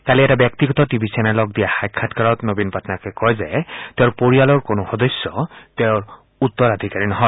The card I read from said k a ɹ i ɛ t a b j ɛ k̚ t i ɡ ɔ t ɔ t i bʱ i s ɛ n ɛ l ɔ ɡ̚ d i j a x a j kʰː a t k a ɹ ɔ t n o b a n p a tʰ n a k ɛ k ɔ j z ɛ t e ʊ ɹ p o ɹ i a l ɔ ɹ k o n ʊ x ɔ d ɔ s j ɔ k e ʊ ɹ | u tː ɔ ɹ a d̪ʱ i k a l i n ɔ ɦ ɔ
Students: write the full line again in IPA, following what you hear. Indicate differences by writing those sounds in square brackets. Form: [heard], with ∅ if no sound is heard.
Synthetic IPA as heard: k a [l] i ɛ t a b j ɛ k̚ t i ɡ ɔ t ɔ t i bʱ i s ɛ n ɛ l ɔ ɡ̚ d i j a x a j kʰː a t k a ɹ ɔ t n o b [i] n p a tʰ n a k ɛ k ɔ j z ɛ t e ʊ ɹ p o ɹ i a l ɔ ɹ k o n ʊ x ɔ d ɔ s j ɔ [t] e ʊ ɹ | u tː ɔ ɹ a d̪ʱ i k a [ɹ] i n ɔ ɦ ɔ